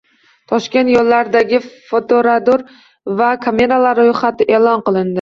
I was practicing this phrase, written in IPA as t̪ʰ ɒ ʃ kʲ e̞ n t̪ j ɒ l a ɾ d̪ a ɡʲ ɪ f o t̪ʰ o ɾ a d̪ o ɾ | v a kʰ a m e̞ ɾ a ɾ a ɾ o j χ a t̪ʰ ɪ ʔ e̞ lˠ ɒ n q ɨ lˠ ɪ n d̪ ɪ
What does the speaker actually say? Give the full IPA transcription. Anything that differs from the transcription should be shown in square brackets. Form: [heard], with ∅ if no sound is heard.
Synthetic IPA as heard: t̪ʰ ɒ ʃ kʲ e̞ n t̪ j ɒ [lː] a ɾ d̪ a ɡʲ ɪ f o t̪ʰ o ɾ a d̪ o ɾ | v a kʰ a m e̞ ɾ a [l] a ɾ o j χ a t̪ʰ ɪ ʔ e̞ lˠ ɒ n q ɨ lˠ ɪ n d̪ ɪ